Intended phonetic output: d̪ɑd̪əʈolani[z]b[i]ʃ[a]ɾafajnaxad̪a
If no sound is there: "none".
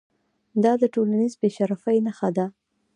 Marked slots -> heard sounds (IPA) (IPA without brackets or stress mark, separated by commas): z, e, a